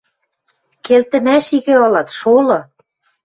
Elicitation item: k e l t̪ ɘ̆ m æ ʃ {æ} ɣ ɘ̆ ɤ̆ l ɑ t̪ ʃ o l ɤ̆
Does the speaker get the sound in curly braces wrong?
yes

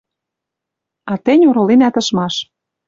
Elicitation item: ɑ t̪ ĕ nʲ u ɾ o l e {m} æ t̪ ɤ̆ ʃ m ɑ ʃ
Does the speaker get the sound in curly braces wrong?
yes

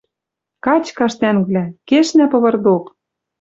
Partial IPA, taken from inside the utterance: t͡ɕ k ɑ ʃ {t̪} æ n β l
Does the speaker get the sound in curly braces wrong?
no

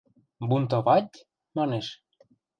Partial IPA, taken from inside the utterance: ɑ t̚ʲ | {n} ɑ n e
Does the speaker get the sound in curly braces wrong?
yes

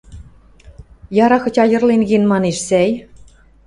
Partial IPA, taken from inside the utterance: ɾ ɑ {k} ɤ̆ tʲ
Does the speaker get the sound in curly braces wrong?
yes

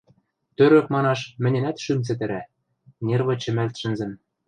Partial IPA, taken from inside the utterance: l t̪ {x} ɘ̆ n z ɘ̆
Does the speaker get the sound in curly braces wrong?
yes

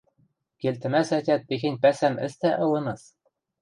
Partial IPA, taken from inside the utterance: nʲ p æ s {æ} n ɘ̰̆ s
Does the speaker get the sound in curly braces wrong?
no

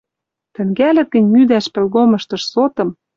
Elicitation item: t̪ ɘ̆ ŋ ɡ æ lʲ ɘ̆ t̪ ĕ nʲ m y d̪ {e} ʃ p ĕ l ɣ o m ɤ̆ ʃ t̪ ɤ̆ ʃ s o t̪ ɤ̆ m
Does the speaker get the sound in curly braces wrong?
yes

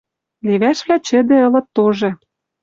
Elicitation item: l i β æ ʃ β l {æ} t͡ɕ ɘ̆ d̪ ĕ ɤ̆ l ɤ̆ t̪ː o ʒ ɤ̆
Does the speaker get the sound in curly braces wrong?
no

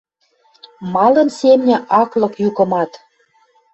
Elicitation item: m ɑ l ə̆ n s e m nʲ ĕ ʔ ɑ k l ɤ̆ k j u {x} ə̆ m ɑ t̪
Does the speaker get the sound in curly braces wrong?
yes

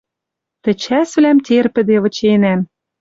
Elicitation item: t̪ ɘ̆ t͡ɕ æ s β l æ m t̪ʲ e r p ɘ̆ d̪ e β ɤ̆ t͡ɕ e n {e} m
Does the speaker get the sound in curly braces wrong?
yes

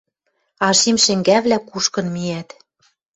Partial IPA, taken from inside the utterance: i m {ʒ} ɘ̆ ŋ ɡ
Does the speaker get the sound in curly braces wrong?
yes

